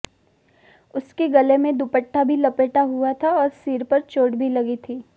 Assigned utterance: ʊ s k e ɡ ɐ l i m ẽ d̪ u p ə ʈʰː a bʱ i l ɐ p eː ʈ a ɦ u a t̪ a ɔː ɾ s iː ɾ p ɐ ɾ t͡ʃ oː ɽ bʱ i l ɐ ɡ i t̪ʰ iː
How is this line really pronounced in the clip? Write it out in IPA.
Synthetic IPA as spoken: ʊ s k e ɡ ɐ l e m ẽ d̪ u p ə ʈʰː a bʱ i l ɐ p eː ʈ a ɦ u a t̪ʰ a ɔː ɾ s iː ɾ p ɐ ɾ t͡ʃ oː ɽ bʱ i l ɐ ɡ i t̪ʰ iː